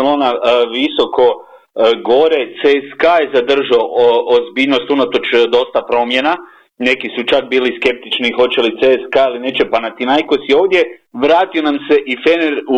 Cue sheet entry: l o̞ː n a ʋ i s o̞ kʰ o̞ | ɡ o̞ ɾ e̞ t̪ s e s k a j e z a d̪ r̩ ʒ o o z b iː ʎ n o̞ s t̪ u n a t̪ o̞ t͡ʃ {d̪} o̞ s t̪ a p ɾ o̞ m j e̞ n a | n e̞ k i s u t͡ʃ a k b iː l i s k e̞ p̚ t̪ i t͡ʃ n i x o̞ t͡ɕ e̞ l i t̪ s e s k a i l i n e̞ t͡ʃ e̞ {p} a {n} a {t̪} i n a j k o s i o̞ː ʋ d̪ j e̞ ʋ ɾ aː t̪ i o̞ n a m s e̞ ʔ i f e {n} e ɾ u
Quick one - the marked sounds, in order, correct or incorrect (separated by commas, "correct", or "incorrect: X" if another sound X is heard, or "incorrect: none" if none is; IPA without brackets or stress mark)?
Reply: correct, correct, correct, correct, correct